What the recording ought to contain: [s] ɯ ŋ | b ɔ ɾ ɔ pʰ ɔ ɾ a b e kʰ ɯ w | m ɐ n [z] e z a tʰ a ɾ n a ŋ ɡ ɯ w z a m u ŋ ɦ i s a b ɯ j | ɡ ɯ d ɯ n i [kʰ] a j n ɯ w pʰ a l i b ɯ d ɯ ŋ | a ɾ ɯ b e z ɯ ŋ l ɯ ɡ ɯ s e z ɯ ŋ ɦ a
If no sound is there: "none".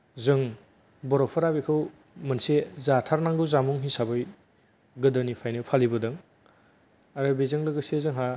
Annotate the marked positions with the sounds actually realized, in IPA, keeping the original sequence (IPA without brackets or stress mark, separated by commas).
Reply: z, s, pʰ